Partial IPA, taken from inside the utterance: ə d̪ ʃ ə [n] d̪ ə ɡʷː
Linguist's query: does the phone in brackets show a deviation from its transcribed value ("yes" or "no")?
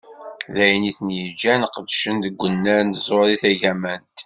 no